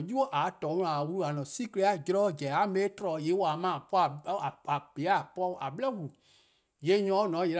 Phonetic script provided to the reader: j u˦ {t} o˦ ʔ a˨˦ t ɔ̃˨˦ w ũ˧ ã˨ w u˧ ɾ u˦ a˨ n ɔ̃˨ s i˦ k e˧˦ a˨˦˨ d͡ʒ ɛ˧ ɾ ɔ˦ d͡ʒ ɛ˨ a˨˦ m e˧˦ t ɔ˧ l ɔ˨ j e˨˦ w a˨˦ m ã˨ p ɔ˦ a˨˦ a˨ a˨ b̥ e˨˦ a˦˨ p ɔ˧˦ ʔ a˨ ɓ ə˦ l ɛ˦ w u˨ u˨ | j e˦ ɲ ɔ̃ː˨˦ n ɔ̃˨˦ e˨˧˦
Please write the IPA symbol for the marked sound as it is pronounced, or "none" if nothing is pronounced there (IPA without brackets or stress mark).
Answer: none